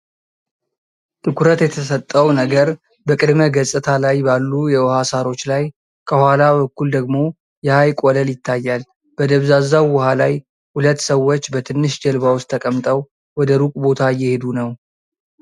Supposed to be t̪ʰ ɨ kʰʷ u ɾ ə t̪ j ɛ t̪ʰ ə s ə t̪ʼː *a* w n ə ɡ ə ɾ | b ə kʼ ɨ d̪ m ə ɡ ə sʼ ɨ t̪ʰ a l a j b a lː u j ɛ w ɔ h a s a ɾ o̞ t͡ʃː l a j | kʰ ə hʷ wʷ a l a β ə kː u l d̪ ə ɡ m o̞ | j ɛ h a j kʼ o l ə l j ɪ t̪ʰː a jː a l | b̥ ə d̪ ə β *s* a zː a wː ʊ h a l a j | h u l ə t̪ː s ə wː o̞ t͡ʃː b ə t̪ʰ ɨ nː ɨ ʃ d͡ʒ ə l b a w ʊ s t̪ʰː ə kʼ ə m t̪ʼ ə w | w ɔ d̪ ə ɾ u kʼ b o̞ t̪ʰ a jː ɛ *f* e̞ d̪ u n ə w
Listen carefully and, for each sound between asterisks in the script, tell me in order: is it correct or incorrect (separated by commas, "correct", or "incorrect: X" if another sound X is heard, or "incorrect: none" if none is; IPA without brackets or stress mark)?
incorrect: ə, incorrect: z, incorrect: h